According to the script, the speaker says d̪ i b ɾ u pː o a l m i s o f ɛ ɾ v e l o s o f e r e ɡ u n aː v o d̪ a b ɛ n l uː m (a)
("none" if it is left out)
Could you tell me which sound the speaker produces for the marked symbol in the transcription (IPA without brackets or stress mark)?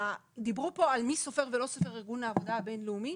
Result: i